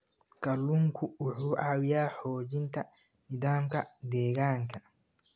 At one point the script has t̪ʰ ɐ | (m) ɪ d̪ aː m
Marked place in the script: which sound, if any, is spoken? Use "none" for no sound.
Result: n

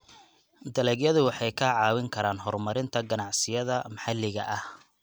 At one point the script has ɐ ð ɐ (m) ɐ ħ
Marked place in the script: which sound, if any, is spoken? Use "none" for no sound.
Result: m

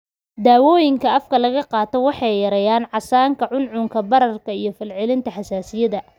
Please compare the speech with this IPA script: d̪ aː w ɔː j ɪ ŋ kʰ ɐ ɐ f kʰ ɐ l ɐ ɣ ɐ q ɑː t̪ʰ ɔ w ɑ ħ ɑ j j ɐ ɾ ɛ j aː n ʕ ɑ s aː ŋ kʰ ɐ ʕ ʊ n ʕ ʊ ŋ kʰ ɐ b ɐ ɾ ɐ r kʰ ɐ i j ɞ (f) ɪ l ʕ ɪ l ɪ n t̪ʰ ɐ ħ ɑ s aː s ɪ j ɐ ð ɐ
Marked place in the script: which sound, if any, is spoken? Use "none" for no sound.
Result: f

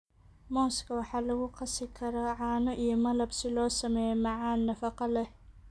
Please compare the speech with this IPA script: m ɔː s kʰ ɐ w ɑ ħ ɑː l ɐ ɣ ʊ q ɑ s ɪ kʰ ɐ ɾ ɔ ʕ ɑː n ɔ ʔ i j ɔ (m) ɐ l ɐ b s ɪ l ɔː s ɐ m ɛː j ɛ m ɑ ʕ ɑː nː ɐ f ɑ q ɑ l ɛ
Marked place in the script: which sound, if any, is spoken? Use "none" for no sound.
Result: m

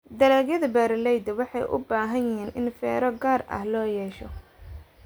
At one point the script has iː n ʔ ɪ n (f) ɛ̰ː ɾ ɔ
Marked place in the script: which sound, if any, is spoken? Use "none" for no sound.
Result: f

